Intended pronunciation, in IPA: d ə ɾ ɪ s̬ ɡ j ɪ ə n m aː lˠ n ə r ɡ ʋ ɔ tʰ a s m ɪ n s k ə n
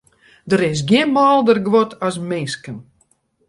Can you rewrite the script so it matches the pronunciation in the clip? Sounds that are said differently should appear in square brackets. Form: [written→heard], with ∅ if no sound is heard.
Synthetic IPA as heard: d ə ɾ ɪ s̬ ɡ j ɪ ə n m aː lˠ [n→d] ə r ɡ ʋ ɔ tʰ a s m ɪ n s k ə n